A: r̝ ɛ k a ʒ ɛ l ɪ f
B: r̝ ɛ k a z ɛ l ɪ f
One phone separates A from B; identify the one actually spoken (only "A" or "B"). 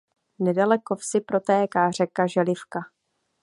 A